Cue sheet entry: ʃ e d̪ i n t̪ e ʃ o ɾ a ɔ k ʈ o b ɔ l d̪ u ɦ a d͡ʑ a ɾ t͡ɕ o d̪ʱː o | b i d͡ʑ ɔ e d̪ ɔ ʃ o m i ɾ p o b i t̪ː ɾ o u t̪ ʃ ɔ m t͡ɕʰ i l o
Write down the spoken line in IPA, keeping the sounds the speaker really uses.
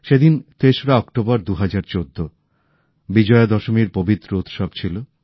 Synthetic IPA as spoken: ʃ e d̪ i n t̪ e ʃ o ɾ a ɔ k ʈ o b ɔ ɾ d̪ u ɦ a d͡ʑ a ɾ t͡ɕ o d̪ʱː o | b i d͡ʑ ɔ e d̪ ɔ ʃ o m i ɾ p o b i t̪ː ɾ o u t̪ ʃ ɔ b t͡ɕʰ i l o